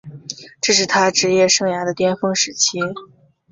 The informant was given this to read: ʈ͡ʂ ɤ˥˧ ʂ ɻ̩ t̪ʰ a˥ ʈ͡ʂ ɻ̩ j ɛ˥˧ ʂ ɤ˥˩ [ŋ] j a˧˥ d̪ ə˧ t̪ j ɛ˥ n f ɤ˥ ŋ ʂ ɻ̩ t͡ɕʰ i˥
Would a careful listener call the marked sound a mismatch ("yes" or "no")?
no